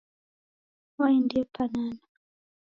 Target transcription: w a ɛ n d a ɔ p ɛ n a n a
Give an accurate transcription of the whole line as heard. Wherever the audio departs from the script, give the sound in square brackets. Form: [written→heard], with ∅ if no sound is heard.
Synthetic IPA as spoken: w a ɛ n d [a→i] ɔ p [ɛ→a] n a n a